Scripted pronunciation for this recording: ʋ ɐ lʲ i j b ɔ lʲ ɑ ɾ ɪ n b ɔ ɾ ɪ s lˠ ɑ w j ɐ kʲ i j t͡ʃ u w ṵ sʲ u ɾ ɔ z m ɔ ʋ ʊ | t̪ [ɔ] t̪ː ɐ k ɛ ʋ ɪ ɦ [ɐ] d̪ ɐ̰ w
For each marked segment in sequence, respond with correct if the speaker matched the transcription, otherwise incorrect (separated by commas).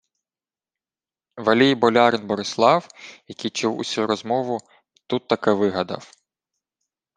incorrect, correct